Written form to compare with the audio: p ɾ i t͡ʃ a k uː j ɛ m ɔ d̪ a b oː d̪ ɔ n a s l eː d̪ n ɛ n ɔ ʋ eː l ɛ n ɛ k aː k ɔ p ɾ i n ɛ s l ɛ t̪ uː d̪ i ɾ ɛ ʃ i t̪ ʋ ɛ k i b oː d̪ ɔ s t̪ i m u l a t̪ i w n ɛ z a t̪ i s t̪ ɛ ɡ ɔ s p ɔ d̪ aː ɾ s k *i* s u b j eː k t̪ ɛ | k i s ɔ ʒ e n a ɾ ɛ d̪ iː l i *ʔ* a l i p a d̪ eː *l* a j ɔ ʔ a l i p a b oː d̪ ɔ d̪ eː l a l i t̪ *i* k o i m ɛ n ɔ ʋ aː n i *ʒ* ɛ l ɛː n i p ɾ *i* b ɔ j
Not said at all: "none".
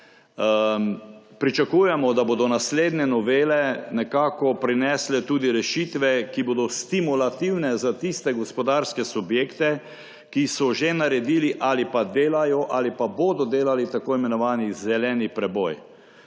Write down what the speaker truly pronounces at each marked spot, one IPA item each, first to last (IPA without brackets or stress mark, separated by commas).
ɛ, ʔ, l, a, z, ɛ